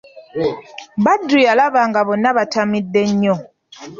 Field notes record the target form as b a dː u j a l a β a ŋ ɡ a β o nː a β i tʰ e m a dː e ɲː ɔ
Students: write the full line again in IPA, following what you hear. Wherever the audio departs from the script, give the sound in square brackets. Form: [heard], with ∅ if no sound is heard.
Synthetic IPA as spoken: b a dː u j a l a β a ŋ ɡ a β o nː a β [a] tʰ [a] m [i] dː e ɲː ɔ